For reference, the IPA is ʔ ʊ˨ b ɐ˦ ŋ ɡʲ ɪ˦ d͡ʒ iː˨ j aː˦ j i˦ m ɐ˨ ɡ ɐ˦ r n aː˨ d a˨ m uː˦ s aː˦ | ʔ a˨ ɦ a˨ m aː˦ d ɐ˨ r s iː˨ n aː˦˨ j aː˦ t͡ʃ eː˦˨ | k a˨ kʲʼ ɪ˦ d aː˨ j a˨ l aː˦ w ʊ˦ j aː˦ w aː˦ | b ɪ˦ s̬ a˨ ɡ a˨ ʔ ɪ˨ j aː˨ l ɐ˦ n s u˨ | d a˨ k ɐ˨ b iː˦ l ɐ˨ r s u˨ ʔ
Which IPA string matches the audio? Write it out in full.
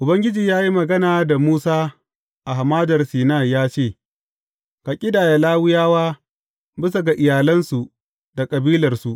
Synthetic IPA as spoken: ʔ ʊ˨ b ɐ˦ ŋ ɡʲ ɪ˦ d͡ʒ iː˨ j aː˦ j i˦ m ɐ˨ ɡ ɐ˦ n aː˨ d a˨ m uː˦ s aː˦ | ʔ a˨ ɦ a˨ m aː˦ d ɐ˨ r s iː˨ n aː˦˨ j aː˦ t͡ʃ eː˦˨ | k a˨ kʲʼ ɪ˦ d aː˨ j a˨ l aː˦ w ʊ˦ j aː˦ w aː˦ | b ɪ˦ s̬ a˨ ɡ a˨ ʔ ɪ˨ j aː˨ l ɐ˦ n s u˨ | d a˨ kʼ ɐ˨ b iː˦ l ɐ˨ r s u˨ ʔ

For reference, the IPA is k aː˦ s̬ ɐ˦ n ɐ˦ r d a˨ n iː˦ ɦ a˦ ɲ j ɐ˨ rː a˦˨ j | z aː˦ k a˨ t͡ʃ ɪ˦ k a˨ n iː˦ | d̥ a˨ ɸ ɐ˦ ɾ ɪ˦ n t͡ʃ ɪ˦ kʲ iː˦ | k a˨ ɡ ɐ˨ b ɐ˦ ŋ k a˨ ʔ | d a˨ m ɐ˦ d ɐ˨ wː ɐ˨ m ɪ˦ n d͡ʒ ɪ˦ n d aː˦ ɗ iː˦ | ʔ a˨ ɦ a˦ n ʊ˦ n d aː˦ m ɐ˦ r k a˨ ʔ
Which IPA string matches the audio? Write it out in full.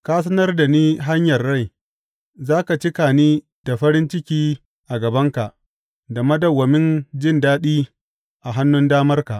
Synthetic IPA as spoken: k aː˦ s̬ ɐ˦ n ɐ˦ r d a˨ n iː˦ ɦ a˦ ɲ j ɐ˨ rː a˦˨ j | z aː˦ k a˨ t͡ʃ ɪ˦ k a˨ n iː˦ | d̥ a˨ ɸ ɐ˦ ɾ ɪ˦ n t͡ʃ ɪ˦ kʲ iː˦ | ʔ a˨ ɡ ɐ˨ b ɐ˦ ŋ k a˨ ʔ | d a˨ m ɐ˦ d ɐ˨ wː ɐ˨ m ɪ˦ n d͡ʒ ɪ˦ n d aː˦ ɗ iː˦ | ʔ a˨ ɦ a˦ nː ʊ˦ n d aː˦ m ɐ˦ r k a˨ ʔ

